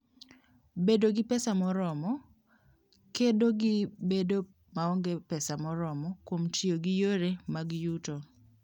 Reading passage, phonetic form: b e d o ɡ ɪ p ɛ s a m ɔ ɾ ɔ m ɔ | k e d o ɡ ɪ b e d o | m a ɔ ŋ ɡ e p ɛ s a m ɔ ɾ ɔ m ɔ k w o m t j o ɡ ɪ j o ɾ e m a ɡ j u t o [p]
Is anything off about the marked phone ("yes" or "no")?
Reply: yes